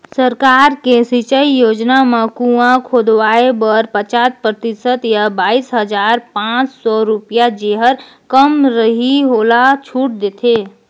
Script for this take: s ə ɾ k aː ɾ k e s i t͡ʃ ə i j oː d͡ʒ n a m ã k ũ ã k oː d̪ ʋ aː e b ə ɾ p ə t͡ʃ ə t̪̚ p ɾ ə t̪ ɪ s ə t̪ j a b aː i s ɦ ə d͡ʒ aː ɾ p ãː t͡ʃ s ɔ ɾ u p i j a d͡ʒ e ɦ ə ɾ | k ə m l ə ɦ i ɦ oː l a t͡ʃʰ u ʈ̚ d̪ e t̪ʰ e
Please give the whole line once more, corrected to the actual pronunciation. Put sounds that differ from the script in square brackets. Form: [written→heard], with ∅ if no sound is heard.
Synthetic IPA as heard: s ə ɾ k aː ɾ k e s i t͡ʃ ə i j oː d͡ʒ n a m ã k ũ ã [k→kʰ] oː d̪ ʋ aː e b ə ɾ p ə t͡ʃ [ə→a] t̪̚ p ɾ ə t̪ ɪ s ə t̪ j a b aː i s ɦ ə d͡ʒ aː ɾ p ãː t͡ʃ s ɔ ɾ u p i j a d͡ʒ e ɦ ə ɾ | k ə m [l→ɾ] ə ɦ i ɦ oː l a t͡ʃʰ u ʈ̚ d̪ e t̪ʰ e